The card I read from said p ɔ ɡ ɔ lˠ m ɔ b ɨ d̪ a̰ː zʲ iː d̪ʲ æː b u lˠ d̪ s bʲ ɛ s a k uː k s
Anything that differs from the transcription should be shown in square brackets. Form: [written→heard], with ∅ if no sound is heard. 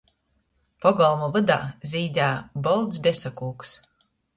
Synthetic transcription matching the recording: p ɔ ɡ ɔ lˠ m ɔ [b→v] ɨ d̪ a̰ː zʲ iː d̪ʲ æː b [u→ɔ] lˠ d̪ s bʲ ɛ s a k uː k s